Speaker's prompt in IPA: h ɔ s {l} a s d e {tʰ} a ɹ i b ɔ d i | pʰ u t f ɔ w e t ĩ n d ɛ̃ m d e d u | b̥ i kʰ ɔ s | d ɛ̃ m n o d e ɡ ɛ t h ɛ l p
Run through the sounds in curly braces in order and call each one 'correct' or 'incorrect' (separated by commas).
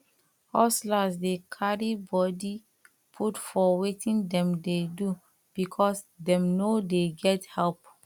correct, incorrect